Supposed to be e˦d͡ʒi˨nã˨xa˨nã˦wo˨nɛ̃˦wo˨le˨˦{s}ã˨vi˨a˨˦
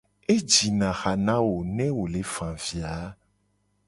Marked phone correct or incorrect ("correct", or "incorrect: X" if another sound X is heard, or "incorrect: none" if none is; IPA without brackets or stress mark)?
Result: incorrect: f